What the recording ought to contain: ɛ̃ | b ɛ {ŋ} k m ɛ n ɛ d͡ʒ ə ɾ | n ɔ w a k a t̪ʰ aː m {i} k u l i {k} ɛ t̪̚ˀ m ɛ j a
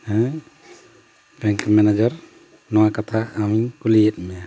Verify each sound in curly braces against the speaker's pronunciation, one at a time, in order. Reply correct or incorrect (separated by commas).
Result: correct, correct, incorrect